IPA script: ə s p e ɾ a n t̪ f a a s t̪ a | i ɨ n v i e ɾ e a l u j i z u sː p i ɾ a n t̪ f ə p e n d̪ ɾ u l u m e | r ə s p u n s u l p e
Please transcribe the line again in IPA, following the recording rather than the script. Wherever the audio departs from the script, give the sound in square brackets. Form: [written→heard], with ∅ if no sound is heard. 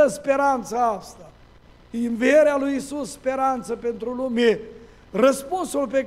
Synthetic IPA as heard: ə s p e ɾ a n t̪ [f→s] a a s t̪ a | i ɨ n v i e ɾ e a l u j i [z→s] u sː p [i→e] ɾ a n t̪ [f→s] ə p e n [d̪→t̪] ɾ u l u m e | r ə s p u n s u l p e